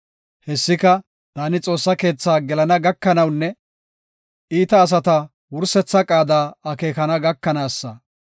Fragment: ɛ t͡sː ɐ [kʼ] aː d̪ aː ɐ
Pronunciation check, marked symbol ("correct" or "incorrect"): correct